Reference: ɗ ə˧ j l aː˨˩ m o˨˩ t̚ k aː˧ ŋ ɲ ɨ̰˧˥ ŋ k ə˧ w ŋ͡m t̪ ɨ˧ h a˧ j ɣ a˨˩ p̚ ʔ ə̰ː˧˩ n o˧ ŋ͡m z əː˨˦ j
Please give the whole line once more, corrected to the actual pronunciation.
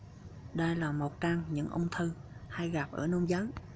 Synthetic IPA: ɗ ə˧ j l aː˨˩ m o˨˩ t̚ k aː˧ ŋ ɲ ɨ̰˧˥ ŋ ʔ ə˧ w ŋ͡m t̪ʰ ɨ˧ h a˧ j ɣ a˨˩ p̚ ʔ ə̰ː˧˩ n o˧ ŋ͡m z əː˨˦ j